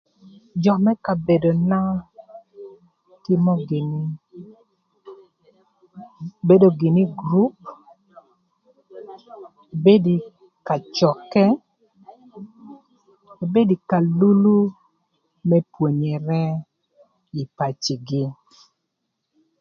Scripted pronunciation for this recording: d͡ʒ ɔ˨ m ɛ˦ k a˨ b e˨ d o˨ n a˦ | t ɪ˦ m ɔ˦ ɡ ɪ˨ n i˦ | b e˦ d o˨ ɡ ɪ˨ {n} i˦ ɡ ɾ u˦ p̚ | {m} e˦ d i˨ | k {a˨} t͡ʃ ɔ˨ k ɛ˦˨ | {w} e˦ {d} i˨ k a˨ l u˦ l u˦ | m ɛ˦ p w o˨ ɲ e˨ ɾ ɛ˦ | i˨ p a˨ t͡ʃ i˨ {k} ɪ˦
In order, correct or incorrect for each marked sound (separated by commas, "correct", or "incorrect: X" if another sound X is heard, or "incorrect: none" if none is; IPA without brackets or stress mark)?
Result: correct, incorrect: b, correct, incorrect: b, correct, incorrect: ɡ